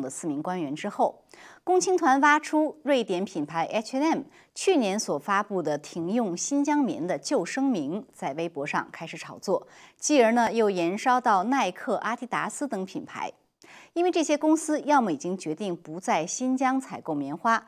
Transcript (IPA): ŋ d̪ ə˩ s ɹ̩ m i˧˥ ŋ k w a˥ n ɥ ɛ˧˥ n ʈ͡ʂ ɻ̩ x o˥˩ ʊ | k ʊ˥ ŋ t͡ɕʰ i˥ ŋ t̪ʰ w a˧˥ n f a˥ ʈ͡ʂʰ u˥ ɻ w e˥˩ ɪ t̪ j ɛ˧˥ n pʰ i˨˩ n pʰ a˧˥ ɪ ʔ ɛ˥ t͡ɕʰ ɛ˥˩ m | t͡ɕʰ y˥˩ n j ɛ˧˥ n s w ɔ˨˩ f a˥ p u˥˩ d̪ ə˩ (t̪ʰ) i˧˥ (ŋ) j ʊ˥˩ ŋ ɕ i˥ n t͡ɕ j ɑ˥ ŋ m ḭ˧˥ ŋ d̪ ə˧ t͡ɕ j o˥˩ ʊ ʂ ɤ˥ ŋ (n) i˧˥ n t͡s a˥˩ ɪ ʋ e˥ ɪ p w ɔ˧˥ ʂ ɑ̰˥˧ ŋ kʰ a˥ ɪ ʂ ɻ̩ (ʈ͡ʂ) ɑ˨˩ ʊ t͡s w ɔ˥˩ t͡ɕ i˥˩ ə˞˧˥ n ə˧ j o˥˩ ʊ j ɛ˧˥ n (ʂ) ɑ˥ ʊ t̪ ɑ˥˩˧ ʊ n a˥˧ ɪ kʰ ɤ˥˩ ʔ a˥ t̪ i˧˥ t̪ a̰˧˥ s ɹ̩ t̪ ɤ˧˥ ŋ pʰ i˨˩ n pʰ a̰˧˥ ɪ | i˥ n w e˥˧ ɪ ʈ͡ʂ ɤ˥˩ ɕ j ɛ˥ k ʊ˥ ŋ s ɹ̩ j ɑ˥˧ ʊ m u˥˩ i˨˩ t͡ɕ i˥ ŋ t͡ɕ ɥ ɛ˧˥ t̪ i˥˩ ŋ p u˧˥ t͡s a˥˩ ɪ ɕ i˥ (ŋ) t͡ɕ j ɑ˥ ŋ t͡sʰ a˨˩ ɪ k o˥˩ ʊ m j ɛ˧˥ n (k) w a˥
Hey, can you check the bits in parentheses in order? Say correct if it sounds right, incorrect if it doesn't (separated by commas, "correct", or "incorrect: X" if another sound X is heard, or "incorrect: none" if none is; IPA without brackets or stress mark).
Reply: correct, correct, incorrect: m, incorrect: ʈ͡ʂʰ, correct, incorrect: n, incorrect: x